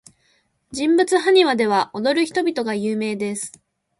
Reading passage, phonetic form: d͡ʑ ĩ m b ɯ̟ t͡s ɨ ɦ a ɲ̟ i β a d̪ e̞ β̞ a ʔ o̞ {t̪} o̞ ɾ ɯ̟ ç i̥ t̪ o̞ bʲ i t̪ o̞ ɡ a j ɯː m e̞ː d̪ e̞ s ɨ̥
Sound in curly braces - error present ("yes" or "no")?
yes